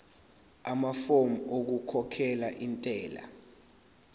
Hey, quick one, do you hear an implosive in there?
no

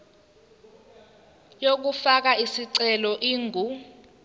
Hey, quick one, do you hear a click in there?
yes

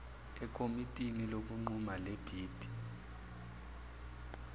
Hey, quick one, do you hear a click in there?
yes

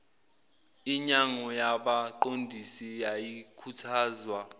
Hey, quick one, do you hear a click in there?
yes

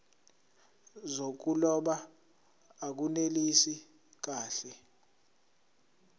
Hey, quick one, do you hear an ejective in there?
no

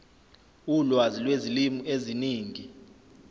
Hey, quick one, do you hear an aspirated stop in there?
no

